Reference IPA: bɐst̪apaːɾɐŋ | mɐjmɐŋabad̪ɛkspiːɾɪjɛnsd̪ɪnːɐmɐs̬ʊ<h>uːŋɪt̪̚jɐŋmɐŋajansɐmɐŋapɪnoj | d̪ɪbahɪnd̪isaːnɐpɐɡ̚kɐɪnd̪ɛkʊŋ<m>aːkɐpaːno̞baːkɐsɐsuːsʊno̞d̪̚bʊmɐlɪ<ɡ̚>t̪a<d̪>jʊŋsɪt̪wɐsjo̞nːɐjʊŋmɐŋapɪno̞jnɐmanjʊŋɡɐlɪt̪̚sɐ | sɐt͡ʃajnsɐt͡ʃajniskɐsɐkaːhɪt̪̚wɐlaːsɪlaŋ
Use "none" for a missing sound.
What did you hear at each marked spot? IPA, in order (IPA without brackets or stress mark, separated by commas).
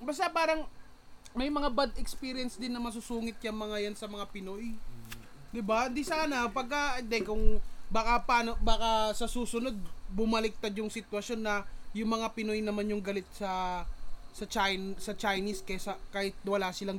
s, b, k̚, d̪